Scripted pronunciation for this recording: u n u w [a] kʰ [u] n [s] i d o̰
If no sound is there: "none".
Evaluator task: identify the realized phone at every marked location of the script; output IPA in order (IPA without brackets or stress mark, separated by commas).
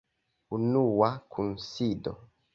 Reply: a, u, s